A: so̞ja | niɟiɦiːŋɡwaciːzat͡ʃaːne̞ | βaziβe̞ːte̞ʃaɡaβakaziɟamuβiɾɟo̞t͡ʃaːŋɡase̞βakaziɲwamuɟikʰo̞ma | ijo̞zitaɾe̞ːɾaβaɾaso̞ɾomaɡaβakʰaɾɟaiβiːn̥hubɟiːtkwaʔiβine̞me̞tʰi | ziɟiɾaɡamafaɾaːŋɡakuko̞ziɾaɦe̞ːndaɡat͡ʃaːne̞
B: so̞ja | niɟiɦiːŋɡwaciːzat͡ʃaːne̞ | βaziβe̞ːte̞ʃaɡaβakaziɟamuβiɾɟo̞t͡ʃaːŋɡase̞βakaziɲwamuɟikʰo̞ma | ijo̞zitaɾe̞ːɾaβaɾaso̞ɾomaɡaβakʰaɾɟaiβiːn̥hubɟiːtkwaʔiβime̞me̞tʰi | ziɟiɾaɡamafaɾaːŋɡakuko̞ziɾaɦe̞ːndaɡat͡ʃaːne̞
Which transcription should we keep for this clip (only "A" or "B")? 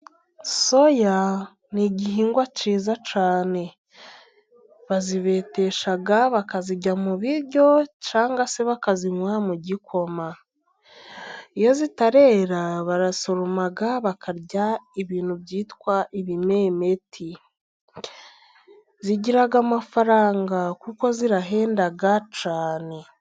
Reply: B